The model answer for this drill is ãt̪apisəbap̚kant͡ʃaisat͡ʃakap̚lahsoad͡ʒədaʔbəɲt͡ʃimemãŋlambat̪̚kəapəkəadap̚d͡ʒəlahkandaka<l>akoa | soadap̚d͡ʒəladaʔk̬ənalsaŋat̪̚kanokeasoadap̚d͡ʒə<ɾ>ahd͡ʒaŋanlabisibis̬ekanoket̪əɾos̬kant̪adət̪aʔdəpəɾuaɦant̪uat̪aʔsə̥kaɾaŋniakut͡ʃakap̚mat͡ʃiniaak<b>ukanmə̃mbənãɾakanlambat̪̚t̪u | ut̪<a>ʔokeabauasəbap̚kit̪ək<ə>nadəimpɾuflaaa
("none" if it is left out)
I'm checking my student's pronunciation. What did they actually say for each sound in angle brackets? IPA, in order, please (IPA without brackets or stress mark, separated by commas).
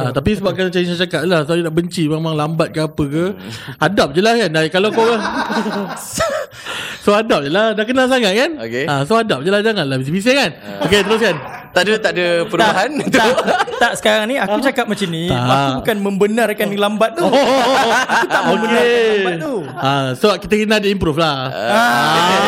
l, l, b, a, ə